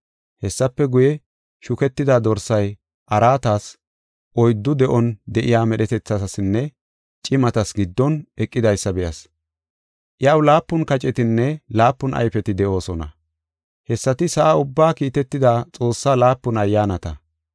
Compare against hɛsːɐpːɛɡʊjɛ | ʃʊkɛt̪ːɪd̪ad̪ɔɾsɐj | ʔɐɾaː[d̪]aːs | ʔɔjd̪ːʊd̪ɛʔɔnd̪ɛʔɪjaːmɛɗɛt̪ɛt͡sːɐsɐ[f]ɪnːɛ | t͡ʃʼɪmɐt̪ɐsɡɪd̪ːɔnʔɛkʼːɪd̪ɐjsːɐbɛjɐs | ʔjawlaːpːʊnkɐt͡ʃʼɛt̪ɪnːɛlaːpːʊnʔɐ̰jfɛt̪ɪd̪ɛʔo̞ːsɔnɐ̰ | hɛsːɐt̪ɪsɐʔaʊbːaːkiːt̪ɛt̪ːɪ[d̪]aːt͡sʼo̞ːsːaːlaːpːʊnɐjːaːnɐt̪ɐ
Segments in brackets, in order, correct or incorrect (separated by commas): incorrect, incorrect, correct